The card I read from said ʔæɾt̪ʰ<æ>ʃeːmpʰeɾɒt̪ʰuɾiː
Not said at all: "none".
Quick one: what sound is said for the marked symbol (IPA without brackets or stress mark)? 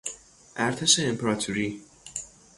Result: e